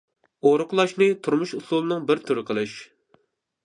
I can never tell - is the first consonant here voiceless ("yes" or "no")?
no